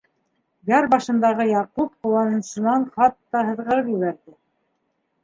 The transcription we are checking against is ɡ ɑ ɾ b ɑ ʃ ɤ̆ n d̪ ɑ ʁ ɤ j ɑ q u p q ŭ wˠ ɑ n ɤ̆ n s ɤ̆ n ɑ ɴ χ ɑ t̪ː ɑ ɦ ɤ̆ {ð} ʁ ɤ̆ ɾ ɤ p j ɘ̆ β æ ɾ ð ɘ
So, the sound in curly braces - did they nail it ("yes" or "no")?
yes